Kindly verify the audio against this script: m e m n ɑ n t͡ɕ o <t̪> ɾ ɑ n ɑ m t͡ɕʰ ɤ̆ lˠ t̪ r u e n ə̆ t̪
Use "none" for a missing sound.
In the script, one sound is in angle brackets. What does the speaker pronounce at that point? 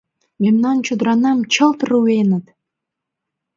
d̪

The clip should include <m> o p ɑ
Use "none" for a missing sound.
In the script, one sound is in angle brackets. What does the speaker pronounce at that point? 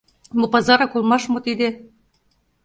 m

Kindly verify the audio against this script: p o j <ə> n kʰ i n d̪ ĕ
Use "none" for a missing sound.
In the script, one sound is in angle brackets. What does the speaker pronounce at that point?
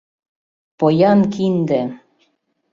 ɑ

